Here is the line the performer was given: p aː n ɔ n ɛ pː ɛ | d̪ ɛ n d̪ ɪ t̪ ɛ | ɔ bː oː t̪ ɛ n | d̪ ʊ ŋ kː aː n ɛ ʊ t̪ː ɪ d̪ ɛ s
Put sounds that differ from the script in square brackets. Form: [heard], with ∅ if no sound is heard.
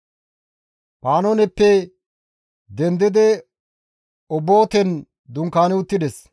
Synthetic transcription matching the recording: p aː n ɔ n ɛ pː ɛ | d̪ ɛ n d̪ ɪ [d̪] ɛ | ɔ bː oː t̪ ɛ n | d̪ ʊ ŋ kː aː n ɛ ʊ t̪ː ɪ d̪ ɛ s